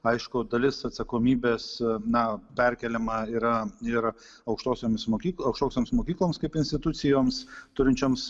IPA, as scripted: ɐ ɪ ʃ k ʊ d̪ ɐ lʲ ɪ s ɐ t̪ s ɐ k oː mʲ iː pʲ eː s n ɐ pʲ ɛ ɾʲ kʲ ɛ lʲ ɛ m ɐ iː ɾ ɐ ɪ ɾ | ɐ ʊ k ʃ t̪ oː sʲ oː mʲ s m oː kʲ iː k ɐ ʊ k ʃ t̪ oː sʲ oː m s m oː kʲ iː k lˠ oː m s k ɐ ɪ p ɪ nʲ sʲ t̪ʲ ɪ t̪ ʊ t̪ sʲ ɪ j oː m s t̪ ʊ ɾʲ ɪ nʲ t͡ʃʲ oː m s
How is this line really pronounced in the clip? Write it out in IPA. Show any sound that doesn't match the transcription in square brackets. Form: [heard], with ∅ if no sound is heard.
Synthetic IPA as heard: ɐ ɪ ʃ k ʊ d̪ ɐ lʲ ɪ s ɐ t̪ s ɐ k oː mʲ iː [bʲ] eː s n ɐ pʲ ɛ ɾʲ kʲ ɛ lʲ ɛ m ɐ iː ɾ ɐ ɪ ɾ | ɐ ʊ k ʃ t̪ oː sʲ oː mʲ s m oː kʲ iː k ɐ ʊ k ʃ t̪ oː sʲ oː m s m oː kʲ iː k lˠ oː m s k ɐ ɪ p ɪ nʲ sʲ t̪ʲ ɪ t̪ ʊ t̪ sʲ ɪ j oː m s t̪ ʊ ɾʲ ɪ nʲ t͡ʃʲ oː m s